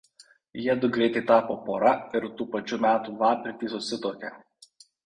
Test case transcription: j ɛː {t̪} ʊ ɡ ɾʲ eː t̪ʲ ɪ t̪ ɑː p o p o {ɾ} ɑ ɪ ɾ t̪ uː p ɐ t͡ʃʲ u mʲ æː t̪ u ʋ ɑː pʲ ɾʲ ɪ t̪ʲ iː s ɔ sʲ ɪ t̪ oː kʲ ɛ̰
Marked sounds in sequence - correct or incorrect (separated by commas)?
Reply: incorrect, correct